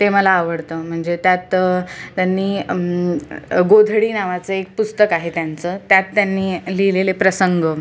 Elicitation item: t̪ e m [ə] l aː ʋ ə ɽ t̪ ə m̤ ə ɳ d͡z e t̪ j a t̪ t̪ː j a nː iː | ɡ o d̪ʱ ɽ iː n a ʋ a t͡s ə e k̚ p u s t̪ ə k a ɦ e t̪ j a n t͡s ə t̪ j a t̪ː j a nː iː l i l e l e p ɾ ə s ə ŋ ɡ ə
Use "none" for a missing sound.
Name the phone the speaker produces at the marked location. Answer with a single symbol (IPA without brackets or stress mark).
ə